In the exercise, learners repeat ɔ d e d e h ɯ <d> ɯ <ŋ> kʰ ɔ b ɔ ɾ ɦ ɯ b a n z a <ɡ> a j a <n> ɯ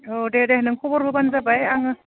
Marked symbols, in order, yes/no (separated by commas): no, yes, no, no